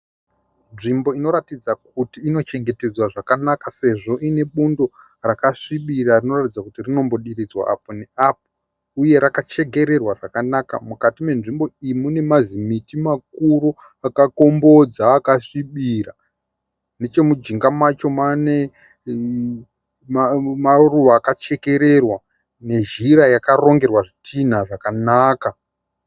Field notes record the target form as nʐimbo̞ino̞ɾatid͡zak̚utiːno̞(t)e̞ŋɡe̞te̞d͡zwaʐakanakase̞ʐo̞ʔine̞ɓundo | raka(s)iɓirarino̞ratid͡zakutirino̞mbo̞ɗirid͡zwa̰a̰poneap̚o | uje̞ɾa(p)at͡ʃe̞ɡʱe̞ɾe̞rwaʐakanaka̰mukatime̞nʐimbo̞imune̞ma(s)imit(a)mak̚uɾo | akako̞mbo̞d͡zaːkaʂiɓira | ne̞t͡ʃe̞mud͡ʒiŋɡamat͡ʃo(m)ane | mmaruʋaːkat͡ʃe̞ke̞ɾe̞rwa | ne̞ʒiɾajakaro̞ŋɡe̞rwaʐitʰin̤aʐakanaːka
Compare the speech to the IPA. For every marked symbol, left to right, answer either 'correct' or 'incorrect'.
incorrect: t͡ʃ, incorrect: ʂ, incorrect: k, incorrect: z, incorrect: i, correct

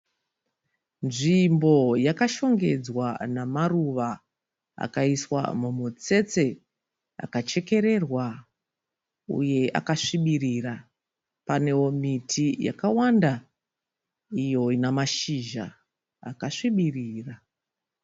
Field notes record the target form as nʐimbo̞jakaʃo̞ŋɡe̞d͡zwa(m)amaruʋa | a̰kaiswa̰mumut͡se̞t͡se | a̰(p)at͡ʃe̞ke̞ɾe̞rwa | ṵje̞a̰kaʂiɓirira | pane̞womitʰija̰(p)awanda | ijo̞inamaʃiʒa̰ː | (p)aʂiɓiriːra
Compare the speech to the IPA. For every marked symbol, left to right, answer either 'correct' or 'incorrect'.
incorrect: n, incorrect: k, incorrect: k, incorrect: k

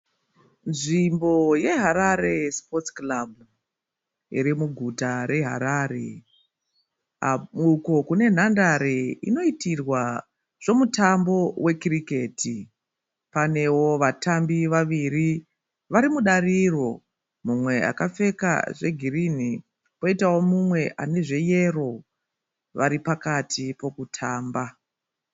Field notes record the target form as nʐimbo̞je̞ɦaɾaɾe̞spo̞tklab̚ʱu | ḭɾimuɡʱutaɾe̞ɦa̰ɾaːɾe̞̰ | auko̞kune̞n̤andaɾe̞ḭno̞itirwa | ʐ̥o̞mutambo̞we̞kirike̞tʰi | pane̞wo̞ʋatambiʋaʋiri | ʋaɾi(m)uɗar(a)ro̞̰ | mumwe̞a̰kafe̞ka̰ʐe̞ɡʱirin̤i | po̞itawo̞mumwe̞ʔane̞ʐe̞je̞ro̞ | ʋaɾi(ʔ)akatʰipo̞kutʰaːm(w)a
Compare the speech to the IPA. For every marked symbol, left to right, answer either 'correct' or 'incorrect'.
correct, incorrect: i, incorrect: p, incorrect: b

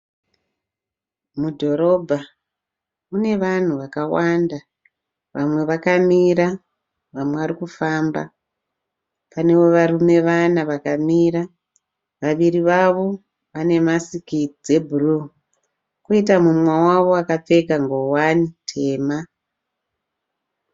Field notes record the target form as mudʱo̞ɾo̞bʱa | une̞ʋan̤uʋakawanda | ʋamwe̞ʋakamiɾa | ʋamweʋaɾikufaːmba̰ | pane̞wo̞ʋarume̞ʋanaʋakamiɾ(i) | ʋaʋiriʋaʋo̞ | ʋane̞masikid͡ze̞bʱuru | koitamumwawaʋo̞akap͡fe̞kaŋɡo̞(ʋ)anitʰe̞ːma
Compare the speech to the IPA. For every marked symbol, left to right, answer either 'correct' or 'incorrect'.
incorrect: a, incorrect: w

